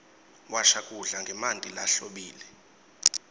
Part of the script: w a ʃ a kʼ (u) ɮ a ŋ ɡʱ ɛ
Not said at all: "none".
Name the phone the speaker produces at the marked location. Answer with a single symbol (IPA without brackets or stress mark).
u